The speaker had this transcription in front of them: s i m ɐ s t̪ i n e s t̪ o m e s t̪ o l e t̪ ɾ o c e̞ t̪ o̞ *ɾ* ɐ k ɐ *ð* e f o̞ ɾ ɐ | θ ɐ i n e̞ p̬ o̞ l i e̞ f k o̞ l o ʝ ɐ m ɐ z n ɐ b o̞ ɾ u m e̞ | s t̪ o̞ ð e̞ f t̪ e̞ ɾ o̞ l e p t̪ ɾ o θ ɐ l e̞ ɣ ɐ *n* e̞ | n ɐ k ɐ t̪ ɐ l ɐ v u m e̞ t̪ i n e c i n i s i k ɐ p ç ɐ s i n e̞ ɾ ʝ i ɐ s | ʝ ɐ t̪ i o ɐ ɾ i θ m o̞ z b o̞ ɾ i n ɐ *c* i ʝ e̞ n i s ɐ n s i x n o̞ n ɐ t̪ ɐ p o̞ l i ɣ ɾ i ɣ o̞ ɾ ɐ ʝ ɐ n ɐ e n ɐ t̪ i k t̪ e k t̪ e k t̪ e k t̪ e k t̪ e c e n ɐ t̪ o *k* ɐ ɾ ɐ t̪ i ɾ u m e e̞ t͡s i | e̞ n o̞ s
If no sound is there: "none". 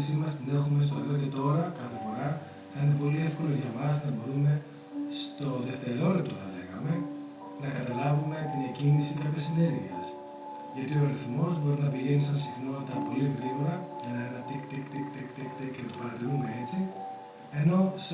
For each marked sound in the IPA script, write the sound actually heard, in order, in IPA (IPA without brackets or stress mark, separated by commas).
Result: ɾ, θ, m, p, p